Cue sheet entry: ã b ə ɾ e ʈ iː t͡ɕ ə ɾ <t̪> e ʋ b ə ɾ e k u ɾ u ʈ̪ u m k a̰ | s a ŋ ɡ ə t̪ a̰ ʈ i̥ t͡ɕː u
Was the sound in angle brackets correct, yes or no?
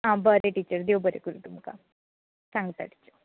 no